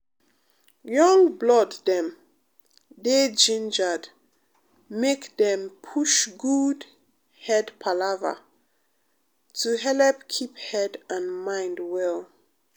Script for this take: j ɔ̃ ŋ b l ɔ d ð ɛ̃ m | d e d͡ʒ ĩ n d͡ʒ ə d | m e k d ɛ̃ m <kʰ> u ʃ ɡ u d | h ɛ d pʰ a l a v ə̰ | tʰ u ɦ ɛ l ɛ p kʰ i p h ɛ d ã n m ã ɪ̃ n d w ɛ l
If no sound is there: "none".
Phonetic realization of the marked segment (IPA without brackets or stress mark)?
pʰ